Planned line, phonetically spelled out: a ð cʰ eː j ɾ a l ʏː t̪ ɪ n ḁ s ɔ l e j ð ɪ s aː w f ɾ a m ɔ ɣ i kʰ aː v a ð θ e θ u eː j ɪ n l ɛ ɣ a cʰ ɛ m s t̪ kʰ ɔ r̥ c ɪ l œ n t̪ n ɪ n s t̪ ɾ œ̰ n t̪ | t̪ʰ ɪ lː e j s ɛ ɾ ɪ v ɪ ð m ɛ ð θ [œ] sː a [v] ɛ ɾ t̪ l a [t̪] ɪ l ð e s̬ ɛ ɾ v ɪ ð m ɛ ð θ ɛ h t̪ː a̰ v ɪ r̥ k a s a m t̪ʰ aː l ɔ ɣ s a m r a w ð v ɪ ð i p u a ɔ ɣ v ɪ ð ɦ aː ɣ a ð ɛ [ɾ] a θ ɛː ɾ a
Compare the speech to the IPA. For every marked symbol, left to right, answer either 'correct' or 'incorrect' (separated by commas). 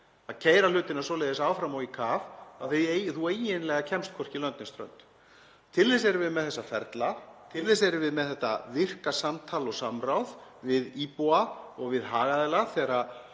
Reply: incorrect, incorrect, incorrect, incorrect